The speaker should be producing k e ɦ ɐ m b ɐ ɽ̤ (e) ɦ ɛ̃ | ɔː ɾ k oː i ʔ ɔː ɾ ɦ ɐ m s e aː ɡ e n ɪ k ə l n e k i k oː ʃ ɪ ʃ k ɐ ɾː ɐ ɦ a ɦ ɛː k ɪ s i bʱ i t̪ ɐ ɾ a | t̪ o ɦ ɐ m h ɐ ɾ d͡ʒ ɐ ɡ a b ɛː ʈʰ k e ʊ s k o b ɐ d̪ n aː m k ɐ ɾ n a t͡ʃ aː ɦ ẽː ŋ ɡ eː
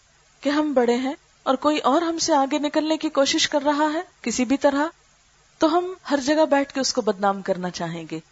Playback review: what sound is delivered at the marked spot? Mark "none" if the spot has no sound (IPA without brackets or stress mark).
e